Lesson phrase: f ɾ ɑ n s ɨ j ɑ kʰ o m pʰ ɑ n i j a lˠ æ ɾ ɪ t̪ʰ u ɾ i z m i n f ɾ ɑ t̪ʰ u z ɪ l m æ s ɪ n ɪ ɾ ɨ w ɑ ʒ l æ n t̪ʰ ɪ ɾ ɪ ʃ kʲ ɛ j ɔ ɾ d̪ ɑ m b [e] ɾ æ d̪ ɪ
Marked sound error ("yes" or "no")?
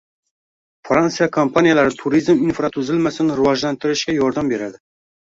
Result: no